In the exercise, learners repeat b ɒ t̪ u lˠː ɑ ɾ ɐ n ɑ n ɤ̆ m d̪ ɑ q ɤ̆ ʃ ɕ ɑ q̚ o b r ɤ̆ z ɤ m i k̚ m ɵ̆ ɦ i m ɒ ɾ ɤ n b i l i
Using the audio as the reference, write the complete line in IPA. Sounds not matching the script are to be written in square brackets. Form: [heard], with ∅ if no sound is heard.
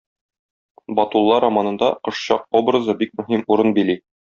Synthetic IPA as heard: b ɒ t̪ u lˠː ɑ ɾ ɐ [m] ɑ n ɤ̆ [n] d̪ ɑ q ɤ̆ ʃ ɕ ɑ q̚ o b r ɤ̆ z ɤ [b] i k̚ m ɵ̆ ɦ i m [u] ɾ ɤ n b i l i